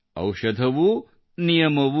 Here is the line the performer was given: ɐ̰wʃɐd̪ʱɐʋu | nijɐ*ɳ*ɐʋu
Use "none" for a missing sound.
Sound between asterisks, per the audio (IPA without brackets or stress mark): m